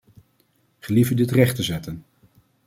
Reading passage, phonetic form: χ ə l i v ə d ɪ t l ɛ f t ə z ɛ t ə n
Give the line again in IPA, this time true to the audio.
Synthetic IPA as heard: χ ə l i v ə d ɪ t r ɛ χ t ə z ɛ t ə n